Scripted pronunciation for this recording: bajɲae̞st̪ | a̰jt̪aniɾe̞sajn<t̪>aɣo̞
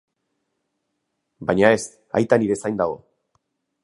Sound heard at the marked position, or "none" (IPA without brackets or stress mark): d̪